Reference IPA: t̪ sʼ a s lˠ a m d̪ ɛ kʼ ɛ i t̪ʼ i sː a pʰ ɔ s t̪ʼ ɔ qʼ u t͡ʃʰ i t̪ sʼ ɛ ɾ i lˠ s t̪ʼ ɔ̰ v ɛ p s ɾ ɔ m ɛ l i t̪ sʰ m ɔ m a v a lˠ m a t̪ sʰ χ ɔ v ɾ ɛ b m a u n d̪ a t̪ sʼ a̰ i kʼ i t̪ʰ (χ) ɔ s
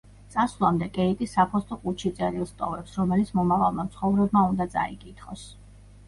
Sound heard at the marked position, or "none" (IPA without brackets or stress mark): χ